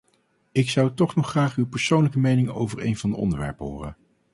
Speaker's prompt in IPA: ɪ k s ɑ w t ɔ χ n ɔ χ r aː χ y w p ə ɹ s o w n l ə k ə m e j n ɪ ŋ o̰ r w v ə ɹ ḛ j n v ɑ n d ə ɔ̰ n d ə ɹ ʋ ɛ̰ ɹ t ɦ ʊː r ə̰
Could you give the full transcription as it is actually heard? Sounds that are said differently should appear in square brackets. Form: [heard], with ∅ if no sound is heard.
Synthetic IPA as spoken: ɪ k s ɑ w t ɔ χ n ɔ χ r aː χ y w p ə ɹ s o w n l ə k ə m e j n ɪ ŋ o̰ [∅] w v ə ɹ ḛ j n v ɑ n d ə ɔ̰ n d ə ɹ ʋ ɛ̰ ɹ [p] ɦ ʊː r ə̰